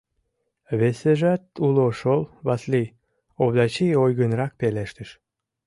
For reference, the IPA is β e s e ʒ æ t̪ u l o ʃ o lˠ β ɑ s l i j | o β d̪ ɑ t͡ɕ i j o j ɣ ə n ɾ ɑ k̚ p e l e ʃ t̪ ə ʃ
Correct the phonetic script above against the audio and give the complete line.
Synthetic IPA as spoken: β e s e ʒ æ t̪ u l o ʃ o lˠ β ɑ s l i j | o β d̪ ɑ t͡ɕ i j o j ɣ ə n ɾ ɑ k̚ p e l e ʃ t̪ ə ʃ